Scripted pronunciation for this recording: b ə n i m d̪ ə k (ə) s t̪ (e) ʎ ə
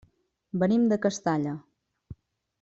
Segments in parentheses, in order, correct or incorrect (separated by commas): correct, incorrect